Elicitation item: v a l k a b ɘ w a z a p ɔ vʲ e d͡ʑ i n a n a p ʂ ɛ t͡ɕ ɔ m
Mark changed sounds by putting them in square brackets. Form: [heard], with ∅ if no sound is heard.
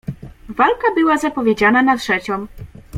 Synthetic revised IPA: v a l k a b ɘ w a z a p ɔ vʲ e d͡ʑ [a] n a n a [t] ʂ ɛ t͡ɕ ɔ m